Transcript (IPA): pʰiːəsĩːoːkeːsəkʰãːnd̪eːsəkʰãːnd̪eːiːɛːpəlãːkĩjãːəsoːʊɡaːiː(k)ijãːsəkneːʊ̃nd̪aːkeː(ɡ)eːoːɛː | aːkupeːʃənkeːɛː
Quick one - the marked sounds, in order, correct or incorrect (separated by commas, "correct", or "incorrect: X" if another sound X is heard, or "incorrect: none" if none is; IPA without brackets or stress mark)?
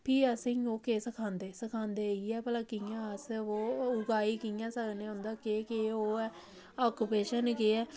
correct, incorrect: k